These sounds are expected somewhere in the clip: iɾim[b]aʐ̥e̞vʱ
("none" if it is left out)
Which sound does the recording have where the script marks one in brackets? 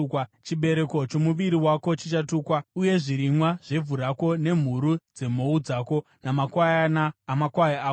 w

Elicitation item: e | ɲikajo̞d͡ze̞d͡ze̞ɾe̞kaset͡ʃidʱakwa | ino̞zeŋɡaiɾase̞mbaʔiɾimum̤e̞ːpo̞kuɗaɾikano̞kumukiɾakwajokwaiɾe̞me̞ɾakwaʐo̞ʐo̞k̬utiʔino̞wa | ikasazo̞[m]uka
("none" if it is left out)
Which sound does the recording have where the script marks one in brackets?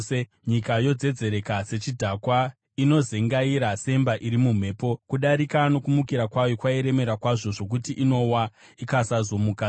m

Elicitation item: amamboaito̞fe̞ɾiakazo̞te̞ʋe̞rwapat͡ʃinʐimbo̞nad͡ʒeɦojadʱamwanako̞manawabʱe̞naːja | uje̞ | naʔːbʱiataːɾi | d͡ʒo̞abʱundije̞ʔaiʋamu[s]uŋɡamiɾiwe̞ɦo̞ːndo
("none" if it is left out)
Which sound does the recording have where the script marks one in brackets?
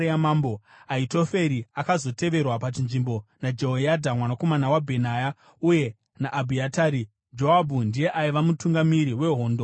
t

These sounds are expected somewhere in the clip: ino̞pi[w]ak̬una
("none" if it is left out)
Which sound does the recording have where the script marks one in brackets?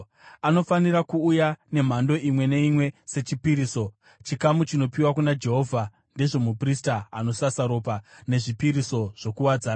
w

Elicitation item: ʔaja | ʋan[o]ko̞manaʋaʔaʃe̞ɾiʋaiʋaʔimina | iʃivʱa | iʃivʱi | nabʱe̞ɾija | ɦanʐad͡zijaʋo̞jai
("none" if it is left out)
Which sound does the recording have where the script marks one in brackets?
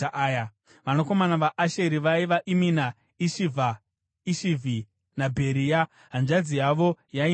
o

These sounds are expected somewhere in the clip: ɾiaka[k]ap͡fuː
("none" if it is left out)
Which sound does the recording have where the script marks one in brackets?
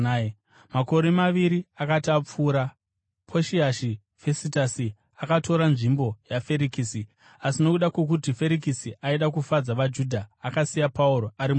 t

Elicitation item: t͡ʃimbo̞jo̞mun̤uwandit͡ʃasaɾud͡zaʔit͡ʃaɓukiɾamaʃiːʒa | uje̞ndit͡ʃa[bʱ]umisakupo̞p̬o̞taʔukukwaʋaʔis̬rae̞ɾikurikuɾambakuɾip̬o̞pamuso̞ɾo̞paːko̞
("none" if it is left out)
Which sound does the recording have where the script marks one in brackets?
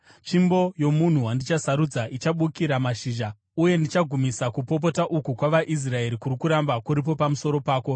ɡʱ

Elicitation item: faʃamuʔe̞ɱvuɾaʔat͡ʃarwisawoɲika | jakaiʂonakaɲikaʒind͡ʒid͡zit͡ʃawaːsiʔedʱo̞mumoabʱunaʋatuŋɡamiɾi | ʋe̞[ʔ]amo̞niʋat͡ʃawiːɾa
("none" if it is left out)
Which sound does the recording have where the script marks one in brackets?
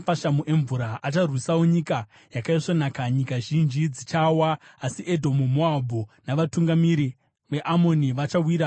ʔ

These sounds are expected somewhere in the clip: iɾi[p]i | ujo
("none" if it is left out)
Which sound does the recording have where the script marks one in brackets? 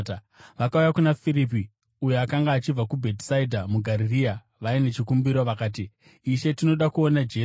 p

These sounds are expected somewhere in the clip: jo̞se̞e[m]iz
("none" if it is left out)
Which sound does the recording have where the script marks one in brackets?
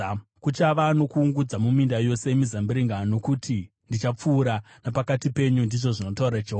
m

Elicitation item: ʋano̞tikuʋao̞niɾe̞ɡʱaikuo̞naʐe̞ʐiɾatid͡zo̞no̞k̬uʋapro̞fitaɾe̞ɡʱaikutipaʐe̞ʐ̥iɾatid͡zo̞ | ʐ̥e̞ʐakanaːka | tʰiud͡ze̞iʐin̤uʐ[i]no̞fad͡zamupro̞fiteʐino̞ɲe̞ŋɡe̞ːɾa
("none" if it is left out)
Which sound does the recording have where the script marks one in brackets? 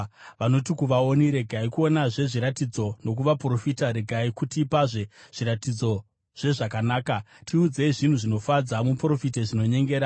i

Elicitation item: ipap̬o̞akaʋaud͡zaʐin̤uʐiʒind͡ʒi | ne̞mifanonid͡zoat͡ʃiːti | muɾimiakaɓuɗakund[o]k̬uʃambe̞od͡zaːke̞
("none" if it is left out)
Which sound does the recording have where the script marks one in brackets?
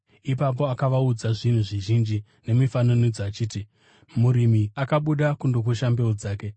o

